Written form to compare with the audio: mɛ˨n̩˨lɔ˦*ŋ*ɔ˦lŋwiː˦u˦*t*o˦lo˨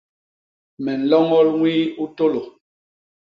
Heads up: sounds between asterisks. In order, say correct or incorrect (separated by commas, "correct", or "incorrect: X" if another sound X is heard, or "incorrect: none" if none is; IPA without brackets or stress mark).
correct, correct